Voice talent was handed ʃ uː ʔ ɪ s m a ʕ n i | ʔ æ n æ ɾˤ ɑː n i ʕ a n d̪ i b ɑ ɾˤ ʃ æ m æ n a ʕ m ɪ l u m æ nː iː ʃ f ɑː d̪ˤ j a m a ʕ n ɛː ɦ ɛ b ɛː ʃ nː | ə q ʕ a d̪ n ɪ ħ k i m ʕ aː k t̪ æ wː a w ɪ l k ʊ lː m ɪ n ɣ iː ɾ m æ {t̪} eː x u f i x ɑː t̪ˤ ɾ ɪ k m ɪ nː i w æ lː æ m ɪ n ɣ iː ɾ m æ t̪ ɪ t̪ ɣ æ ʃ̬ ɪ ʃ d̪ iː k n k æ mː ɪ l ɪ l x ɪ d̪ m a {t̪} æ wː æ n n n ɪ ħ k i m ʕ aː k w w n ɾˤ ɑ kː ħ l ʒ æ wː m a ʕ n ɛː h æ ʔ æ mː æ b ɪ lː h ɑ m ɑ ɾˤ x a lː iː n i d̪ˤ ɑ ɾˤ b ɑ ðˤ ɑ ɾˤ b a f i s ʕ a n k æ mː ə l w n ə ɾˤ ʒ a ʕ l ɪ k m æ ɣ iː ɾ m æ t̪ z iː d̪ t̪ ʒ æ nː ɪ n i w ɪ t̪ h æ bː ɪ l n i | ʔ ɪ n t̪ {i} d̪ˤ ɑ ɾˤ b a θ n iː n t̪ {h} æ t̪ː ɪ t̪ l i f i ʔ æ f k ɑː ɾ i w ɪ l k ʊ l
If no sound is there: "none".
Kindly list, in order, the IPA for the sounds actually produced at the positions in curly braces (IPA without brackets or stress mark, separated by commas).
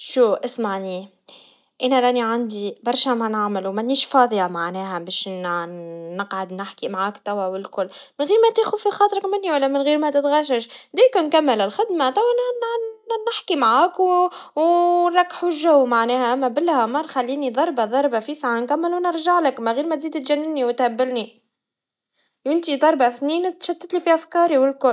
t̪, t̪, i, ʃ